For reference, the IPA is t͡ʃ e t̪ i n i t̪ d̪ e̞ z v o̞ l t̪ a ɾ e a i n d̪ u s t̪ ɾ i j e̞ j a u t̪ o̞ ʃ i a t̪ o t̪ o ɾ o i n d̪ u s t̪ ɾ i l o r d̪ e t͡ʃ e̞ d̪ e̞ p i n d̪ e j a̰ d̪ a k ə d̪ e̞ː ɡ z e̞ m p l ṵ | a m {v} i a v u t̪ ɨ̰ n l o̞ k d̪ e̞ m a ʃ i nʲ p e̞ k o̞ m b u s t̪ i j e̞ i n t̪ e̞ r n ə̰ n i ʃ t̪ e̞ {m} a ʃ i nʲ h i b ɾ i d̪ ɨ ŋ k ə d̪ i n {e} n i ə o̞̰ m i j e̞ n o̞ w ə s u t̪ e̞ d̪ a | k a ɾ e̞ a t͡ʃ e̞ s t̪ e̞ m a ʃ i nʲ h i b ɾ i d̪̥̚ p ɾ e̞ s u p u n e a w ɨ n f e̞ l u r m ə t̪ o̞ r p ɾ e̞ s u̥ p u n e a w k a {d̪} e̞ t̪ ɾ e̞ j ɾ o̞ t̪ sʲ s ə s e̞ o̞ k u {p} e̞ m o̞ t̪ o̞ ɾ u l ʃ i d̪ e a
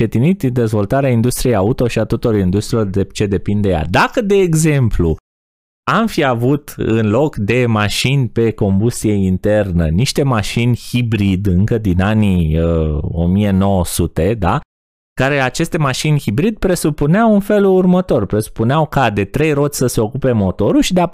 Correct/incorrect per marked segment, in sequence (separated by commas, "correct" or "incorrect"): incorrect, correct, incorrect, correct, correct